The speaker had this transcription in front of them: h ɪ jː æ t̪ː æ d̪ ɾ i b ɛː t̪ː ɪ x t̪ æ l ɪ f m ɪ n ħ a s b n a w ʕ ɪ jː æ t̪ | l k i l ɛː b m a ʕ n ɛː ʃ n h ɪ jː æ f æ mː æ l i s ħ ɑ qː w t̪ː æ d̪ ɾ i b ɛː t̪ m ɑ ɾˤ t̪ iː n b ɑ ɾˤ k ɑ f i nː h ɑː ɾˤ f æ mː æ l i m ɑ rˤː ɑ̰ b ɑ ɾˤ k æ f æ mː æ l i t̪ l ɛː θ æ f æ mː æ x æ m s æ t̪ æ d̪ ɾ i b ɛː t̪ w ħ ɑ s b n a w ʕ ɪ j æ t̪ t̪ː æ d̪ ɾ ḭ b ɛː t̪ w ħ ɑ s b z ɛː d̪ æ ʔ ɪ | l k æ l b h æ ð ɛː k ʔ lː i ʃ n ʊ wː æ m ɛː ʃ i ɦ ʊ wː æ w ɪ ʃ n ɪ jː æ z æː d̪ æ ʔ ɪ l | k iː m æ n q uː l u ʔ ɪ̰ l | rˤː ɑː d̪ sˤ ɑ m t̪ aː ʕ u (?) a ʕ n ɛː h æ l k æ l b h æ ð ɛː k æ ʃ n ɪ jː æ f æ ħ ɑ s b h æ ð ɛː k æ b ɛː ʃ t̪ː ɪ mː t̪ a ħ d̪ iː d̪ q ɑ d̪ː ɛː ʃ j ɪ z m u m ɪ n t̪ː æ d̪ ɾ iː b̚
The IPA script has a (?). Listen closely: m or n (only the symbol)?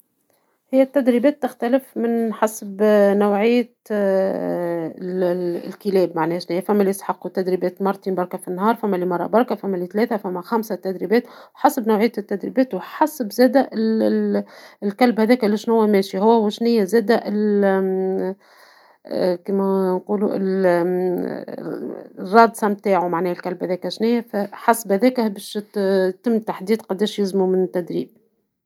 m